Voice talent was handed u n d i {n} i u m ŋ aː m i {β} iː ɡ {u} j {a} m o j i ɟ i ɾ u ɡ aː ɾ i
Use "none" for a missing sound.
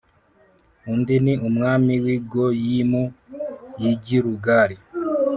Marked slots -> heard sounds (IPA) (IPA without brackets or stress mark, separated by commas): n, w, o, i